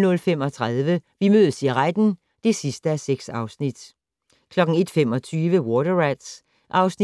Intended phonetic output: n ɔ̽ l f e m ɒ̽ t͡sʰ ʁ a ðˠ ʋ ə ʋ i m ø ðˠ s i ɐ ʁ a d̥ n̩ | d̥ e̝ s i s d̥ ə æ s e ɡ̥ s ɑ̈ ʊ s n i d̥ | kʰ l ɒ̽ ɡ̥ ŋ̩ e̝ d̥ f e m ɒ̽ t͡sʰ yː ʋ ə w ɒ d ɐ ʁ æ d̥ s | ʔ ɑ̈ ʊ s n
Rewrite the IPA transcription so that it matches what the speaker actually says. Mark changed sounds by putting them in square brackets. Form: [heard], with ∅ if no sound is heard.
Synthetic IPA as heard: n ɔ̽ l f e m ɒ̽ t͡sʰ ʁ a ðˠ ʋ ə ʋ i m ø ðˠ s i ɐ ʁ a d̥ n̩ | d̥ e̝ s i s d̥ ə æ s e ɡ̥ s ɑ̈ ʊ s n i d̥ | kʰ l ɒ̽ ɡ̥ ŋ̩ e̝ d̥ f e m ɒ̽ t͡sʰ yː ʋ ə w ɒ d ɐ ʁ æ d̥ s | ʔ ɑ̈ ʊ s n